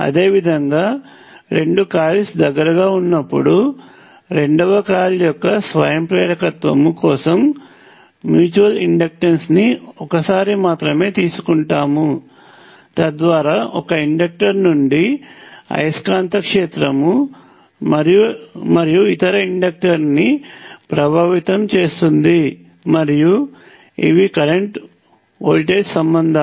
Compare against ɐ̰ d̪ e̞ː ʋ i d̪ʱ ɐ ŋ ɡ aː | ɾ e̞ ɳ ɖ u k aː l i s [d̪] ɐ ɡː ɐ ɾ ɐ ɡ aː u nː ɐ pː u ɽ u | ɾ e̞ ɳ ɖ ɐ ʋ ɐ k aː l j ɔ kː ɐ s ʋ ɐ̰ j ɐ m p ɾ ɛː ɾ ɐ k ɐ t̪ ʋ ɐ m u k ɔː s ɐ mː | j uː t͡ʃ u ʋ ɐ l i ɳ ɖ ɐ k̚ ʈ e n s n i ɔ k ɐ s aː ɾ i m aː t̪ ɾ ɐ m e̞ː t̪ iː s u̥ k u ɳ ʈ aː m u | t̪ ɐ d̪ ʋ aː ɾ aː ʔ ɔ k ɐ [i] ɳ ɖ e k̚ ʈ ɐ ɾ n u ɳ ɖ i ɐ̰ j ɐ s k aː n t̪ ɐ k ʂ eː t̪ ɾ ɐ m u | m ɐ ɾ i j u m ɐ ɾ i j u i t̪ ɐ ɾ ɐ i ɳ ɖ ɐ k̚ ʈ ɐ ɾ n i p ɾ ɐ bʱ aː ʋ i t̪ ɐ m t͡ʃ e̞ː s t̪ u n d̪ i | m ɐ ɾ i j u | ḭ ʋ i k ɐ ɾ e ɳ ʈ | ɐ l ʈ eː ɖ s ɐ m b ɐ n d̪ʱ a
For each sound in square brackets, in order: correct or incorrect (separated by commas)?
correct, correct